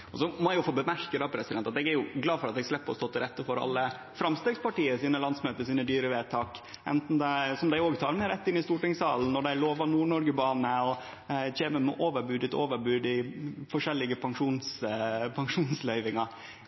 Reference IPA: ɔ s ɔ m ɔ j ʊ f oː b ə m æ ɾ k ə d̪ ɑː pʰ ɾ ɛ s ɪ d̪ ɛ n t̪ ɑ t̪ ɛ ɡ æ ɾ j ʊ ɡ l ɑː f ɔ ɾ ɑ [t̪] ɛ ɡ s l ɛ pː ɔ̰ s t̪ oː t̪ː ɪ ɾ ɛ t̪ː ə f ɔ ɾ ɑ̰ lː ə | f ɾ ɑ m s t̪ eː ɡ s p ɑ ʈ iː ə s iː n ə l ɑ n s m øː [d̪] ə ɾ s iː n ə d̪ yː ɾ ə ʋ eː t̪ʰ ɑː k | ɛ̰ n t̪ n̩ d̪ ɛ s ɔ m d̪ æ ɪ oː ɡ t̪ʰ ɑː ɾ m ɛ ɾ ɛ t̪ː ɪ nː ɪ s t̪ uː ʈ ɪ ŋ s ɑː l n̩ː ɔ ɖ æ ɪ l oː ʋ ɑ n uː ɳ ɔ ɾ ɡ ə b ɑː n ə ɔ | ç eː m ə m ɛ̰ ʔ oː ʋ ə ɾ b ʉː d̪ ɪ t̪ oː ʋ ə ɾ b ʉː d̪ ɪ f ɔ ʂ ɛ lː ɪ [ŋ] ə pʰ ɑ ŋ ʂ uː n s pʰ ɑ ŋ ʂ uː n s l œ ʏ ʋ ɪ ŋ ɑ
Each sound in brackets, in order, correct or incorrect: correct, incorrect: t̪, incorrect: ɡ

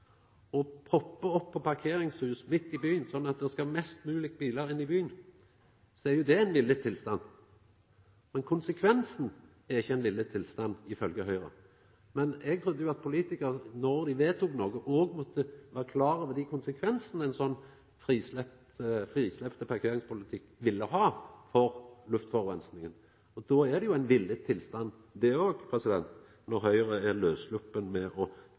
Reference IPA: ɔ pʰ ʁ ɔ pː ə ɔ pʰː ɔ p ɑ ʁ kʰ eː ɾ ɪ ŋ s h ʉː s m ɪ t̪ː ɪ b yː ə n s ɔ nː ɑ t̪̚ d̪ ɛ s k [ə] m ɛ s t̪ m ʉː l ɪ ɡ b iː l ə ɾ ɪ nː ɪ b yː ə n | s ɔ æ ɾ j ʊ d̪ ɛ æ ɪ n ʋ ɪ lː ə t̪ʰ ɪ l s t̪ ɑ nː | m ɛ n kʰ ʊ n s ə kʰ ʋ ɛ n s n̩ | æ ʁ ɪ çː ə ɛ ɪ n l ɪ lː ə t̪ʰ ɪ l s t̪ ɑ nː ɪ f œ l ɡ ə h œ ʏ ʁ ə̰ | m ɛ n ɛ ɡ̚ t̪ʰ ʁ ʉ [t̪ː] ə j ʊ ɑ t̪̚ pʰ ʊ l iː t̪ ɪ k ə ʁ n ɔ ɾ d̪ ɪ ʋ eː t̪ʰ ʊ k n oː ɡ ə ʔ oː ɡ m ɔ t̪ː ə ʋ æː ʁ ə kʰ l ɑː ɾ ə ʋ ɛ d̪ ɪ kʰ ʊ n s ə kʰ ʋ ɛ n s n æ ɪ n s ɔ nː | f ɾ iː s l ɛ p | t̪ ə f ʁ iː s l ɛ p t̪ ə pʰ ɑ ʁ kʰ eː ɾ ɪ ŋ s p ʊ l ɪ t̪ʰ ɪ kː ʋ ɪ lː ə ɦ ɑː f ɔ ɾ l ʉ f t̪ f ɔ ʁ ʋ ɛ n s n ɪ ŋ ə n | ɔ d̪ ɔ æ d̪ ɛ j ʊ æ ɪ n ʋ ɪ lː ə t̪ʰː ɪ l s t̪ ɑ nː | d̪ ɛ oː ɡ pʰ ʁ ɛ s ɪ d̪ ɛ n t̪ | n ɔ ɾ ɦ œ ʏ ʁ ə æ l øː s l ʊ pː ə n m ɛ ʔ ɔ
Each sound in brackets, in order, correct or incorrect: incorrect: ɑ, incorrect: d̪ː

